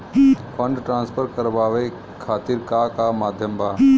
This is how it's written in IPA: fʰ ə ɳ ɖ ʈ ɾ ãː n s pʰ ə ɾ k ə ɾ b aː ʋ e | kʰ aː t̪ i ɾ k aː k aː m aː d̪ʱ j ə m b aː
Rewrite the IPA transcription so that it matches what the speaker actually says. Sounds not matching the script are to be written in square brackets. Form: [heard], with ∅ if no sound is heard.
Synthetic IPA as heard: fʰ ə ɳ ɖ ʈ ɾ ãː n s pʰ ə ɾ k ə ɾ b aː ʋ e | kʰ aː t̪ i ɾ k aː k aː m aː d̪ʱ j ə m b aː